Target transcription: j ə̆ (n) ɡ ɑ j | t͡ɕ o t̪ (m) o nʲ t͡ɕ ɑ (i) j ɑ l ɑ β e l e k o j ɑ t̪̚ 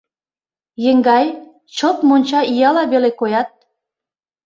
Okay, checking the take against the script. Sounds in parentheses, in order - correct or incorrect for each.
incorrect, correct, correct

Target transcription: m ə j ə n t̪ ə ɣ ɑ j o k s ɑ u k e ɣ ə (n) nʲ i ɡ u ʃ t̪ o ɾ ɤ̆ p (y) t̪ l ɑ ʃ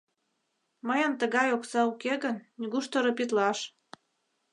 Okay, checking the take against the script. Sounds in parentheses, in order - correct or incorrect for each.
correct, incorrect

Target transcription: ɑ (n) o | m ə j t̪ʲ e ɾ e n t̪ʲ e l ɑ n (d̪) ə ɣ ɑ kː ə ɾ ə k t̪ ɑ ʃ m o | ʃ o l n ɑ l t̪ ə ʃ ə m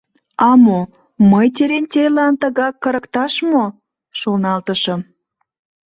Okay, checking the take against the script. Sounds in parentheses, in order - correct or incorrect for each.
incorrect, incorrect

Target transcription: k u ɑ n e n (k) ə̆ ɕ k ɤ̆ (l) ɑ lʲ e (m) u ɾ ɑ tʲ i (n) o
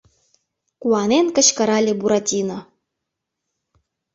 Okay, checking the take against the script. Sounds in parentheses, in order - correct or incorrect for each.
correct, incorrect, incorrect, correct

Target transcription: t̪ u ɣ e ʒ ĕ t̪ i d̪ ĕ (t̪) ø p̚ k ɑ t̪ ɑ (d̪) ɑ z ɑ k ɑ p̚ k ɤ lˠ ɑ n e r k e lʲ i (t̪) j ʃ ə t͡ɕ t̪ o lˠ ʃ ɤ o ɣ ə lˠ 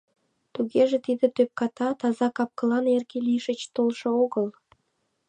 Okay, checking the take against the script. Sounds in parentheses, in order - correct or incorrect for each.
correct, incorrect, incorrect

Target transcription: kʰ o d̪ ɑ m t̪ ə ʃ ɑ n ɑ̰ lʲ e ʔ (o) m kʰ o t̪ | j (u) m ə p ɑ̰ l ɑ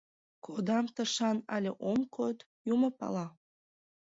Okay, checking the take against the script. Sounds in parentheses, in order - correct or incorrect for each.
correct, correct

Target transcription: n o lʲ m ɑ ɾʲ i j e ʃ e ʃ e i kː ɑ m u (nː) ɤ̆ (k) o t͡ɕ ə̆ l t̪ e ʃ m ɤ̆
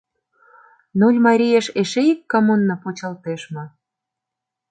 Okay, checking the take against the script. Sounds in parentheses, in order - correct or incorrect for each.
correct, incorrect

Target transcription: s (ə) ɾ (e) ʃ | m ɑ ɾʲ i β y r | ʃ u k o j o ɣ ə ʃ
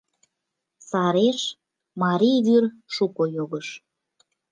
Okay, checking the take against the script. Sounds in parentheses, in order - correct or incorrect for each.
incorrect, correct

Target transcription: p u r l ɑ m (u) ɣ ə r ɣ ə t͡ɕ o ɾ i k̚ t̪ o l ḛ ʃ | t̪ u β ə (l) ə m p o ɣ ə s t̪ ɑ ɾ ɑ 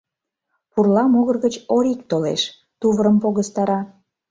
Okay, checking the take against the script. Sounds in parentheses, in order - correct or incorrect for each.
incorrect, incorrect

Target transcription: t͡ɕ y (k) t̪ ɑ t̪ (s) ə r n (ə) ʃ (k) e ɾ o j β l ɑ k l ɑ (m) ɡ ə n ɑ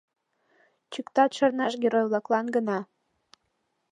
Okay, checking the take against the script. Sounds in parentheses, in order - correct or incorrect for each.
correct, incorrect, incorrect, incorrect, incorrect

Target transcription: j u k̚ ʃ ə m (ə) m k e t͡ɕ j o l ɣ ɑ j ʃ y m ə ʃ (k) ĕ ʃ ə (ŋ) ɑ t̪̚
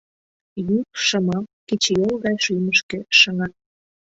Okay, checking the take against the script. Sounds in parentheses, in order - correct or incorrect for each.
incorrect, correct, correct

